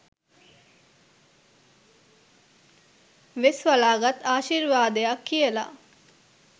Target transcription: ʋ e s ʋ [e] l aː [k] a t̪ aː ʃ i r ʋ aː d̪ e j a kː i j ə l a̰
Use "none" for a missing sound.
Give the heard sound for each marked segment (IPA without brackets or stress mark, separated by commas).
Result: a, ɡ